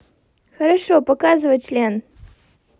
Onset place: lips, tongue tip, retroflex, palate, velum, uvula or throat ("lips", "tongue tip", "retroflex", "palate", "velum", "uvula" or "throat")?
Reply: velum